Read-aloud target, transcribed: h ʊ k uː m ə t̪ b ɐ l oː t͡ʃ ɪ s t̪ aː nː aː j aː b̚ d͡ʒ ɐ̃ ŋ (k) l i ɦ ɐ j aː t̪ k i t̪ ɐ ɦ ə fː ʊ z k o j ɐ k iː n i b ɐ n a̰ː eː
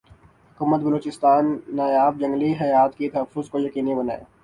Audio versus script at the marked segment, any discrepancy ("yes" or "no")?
yes